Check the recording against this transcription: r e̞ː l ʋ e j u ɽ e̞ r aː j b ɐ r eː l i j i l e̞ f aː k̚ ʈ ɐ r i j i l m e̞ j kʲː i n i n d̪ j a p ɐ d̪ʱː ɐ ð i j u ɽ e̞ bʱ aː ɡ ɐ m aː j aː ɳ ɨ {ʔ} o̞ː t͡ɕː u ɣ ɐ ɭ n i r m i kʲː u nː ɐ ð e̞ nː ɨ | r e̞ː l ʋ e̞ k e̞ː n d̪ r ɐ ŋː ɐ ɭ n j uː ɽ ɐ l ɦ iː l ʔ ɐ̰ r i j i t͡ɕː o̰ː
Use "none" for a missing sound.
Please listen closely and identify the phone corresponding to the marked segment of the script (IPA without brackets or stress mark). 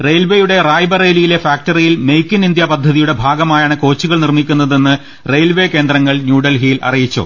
k